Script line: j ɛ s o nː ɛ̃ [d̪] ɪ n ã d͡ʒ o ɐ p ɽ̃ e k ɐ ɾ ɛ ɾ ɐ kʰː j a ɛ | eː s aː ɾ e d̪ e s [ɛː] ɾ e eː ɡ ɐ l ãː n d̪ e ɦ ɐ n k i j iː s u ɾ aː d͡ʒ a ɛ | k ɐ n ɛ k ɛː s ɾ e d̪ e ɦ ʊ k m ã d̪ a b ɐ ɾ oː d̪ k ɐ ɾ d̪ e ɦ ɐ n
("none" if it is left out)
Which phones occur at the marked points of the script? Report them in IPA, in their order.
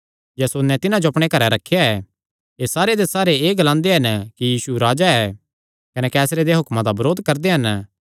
t̪, aː

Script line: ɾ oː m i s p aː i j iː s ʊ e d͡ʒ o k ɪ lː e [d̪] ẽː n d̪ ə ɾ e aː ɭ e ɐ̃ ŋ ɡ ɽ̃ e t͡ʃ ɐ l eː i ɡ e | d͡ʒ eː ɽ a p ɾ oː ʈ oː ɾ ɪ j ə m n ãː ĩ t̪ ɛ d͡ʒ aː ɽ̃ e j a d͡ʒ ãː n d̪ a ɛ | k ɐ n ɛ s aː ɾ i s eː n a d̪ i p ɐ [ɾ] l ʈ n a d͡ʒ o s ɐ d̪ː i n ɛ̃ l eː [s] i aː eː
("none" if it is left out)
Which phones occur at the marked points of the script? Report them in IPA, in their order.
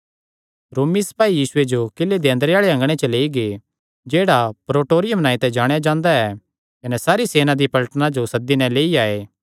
d̪, none, none

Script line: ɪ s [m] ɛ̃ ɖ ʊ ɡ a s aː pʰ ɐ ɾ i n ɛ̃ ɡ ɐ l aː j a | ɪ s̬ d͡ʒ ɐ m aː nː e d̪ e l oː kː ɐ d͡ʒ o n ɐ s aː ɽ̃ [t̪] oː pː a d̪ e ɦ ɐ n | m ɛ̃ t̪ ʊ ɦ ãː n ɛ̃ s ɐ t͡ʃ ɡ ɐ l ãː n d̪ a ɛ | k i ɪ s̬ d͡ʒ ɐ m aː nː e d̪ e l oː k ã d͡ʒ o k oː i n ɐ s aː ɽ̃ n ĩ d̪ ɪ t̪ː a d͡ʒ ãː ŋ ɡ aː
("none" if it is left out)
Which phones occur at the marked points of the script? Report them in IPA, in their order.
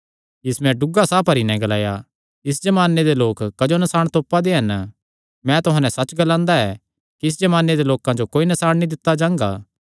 m, t̪

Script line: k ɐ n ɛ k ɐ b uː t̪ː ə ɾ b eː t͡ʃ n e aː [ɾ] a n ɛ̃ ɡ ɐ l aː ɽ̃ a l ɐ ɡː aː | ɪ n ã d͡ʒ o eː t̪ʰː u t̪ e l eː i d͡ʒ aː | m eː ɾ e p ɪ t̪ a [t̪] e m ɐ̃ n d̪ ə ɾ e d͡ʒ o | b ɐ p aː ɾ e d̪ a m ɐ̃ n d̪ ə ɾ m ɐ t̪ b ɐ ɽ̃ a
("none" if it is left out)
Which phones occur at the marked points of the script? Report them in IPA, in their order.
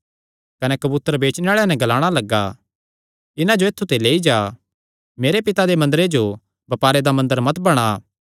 ɭ, d̪

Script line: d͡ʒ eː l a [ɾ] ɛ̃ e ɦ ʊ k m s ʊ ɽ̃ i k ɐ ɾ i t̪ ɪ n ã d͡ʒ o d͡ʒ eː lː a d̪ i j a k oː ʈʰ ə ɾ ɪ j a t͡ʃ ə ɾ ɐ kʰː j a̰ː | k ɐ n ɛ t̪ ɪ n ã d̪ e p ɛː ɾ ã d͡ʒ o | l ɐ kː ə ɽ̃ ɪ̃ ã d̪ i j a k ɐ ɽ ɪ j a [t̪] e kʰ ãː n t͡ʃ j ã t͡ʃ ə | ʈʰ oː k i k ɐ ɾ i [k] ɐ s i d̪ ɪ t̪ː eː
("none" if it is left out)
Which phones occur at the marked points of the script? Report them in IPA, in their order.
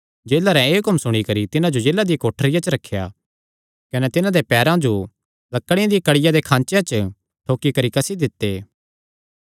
ɾ, d̪, k

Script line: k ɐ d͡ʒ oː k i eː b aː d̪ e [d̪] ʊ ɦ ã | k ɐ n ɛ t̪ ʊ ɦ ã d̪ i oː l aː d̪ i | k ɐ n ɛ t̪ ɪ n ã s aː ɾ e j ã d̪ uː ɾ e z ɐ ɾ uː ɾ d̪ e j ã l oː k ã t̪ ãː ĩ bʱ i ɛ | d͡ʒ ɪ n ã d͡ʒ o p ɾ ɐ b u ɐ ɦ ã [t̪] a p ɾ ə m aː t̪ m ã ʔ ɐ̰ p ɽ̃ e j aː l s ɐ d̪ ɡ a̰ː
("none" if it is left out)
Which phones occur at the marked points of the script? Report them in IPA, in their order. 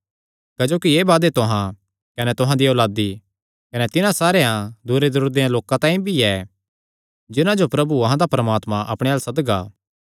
t̪, d̪

